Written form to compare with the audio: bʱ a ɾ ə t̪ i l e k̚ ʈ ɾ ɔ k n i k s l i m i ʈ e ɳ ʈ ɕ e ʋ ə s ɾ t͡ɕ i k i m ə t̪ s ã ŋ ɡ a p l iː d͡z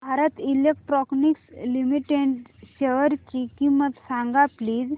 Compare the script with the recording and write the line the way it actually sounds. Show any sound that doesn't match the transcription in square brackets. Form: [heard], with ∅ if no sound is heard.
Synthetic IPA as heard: bʱ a ɾ ə t̪ i l e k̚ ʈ ɾ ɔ k n i k s l i m i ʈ e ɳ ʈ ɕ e ʋ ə [∅] ɾ t͡ɕ i k i m ə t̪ s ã ŋ ɡ a p l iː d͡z